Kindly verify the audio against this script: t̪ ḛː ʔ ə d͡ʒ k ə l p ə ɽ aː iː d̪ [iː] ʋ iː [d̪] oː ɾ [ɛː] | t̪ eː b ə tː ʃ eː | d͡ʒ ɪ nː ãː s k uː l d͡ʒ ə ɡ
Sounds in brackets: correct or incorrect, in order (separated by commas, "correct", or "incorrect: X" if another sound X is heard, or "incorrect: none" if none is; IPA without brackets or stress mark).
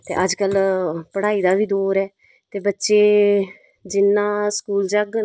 incorrect: aː, correct, correct